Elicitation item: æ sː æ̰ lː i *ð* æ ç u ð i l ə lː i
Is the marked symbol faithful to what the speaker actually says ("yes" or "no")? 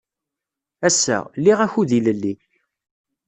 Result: no